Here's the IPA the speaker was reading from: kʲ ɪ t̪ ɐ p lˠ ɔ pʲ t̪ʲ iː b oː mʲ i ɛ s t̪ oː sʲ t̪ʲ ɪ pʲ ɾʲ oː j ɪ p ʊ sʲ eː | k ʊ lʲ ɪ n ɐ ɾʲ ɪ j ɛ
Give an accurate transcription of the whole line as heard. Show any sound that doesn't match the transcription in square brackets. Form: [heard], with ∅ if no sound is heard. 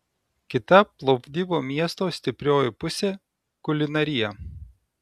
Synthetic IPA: kʲ ɪ t̪ ɐ p lˠ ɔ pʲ [d̪ʲ] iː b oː mʲ i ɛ s t̪ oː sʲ t̪ʲ ɪ pʲ ɾʲ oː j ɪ p ʊ sʲ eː | k ʊ lʲ ɪ n ɐ ɾʲ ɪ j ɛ